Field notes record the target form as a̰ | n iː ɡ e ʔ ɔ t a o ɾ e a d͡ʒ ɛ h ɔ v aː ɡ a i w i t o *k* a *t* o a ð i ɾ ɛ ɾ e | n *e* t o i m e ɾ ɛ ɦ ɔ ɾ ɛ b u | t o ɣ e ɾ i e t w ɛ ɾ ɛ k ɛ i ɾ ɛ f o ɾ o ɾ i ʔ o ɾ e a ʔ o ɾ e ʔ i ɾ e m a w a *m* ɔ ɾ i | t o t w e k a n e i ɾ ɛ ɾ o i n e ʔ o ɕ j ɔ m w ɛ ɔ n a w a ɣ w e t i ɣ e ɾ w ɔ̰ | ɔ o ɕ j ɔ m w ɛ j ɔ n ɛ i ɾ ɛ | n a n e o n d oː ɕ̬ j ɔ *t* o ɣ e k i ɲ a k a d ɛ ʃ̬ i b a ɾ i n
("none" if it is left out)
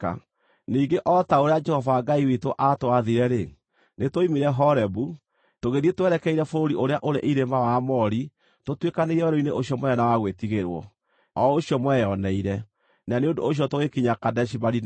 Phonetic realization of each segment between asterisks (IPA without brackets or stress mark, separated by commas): ʔ, t, e, m, t